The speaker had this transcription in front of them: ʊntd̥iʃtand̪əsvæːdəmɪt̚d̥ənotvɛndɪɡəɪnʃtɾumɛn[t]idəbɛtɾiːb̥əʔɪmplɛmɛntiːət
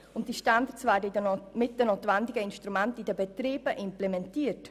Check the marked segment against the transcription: correct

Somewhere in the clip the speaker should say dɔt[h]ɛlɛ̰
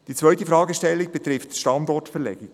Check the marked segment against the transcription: incorrect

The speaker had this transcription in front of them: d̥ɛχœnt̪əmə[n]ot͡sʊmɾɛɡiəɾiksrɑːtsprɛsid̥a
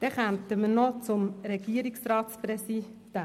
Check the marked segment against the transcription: correct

